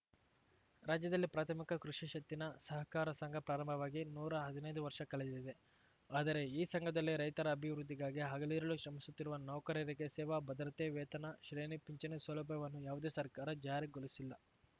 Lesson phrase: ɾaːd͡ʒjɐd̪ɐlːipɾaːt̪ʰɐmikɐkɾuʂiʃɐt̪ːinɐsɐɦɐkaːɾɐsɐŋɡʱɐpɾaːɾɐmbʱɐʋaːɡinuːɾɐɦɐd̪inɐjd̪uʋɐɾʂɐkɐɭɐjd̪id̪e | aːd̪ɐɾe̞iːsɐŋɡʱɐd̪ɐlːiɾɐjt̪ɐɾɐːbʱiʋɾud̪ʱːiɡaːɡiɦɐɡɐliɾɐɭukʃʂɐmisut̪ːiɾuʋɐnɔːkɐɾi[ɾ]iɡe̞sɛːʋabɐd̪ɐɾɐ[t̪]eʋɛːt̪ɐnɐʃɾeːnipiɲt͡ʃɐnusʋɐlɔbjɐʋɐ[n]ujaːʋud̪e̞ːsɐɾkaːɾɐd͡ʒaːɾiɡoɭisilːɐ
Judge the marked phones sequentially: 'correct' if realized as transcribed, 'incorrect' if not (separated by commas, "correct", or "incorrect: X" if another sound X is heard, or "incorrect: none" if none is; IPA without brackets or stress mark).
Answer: correct, correct, incorrect: nː